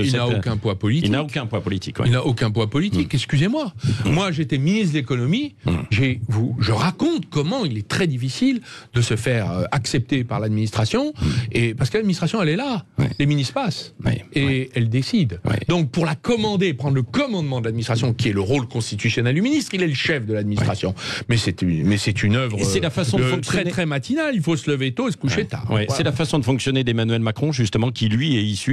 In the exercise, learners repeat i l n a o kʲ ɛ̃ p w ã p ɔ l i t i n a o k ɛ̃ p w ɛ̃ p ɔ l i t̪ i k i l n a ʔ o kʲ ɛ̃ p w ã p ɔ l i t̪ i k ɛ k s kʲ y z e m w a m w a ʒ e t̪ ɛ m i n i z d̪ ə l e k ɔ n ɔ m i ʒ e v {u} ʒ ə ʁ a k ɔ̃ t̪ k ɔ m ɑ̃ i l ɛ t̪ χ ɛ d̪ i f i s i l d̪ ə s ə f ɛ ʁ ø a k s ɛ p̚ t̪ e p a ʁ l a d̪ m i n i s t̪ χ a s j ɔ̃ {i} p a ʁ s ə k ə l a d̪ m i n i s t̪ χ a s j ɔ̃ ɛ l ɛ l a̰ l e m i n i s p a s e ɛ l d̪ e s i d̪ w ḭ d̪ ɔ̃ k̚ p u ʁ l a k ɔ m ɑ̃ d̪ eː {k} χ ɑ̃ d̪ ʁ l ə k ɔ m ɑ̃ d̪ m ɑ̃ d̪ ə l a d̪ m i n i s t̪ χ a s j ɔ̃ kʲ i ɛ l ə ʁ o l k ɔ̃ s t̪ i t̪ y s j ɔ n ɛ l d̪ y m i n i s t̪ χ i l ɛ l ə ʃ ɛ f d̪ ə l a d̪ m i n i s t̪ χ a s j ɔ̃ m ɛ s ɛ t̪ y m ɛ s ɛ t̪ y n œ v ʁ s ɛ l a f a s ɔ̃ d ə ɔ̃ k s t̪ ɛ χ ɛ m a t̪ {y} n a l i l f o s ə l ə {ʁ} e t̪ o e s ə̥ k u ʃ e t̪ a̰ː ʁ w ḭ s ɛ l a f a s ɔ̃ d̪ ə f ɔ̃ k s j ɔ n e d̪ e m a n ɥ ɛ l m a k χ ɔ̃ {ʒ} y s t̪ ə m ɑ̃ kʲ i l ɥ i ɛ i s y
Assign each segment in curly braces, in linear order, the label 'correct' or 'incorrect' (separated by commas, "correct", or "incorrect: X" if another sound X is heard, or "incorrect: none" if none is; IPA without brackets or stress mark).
correct, incorrect: e, incorrect: p, incorrect: i, incorrect: v, correct